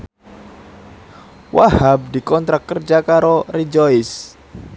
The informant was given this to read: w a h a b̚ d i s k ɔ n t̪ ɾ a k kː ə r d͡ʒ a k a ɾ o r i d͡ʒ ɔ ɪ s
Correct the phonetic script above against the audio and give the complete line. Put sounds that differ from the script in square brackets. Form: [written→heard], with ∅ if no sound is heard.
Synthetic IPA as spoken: w a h a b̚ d i [s→∅] k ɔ n t̪ ɾ a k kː ə r d͡ʒ a k a ɾ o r i d͡ʒ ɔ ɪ s